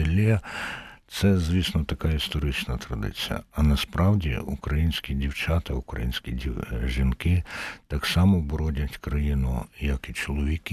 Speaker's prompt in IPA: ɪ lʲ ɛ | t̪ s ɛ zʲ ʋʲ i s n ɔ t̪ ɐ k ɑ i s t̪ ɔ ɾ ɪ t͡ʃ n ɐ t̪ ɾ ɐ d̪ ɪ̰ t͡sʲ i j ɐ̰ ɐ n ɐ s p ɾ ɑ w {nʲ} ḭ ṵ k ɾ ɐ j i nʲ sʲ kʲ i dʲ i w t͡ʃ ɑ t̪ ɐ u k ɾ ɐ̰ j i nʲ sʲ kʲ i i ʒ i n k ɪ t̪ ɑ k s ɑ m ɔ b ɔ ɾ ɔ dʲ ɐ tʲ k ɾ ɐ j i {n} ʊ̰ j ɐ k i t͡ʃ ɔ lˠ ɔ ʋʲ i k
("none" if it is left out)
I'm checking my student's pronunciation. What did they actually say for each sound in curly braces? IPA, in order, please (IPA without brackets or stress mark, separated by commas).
dʲ, n